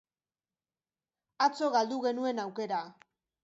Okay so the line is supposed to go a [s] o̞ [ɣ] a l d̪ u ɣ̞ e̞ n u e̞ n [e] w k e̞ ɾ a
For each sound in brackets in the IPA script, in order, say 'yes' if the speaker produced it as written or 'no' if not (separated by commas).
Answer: no, yes, no